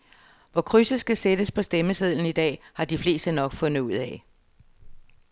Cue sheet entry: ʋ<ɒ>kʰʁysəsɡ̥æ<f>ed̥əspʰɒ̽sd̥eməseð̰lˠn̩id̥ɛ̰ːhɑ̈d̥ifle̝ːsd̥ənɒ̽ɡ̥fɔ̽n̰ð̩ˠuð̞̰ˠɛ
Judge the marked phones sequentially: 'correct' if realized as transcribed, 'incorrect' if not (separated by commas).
correct, incorrect